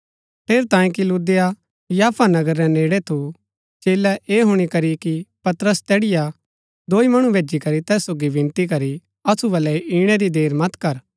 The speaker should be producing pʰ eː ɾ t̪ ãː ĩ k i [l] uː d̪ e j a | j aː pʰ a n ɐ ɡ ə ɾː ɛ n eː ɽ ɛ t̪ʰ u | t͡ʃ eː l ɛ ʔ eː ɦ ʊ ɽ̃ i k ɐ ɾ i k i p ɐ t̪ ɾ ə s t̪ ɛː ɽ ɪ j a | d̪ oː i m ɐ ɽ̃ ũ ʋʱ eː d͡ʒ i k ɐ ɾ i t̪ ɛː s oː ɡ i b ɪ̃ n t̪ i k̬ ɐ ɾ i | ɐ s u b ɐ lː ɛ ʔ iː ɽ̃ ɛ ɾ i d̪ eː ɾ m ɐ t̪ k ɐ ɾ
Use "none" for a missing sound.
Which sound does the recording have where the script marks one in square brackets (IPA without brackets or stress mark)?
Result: l